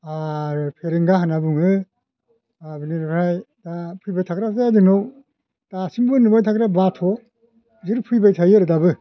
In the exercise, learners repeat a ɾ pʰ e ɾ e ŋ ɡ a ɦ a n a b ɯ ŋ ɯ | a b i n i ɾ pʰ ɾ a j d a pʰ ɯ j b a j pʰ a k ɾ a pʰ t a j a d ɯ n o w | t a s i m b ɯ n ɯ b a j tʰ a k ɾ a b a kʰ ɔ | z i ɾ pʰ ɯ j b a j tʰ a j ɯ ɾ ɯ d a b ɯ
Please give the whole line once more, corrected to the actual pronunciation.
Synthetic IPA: a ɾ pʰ e ɾ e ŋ ɡ a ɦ a n a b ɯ ŋ ɯ | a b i n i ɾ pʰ ɾ a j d a pʰ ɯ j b a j tʰ a k ɾ a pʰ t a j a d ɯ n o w | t a s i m b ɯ n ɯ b a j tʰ a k ɾ a b a tʰ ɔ | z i ɾ pʰ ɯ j b a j tʰ a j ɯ ɾ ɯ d a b ɯ